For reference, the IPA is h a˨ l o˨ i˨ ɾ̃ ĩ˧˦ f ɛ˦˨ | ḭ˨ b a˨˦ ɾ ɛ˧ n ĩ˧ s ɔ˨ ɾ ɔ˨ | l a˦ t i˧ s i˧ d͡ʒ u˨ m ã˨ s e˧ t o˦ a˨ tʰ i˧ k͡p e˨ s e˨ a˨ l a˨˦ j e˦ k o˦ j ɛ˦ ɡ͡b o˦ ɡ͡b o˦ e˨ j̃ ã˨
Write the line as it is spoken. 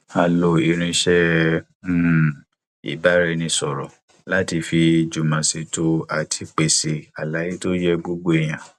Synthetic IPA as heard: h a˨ l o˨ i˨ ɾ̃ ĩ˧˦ ʃ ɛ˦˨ | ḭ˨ b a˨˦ ɾ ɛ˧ n ĩ˧ s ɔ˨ ɾ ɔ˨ | l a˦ t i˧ f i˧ d͡ʒ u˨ m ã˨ s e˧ t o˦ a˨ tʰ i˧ k͡p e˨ s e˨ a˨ l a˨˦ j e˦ t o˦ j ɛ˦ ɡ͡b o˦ ɡ͡b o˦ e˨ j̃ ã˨